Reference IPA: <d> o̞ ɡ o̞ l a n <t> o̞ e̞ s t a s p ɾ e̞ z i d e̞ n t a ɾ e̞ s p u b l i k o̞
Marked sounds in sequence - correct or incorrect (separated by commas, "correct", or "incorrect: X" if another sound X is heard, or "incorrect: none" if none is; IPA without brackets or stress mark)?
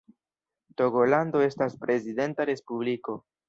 incorrect: t, incorrect: d